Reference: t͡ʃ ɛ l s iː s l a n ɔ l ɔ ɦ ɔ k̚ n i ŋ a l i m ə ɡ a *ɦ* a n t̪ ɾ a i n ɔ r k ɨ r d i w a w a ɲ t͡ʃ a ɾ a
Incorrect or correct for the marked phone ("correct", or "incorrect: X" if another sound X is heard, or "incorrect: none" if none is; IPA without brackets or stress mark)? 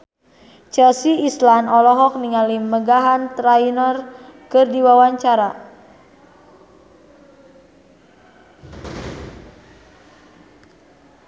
correct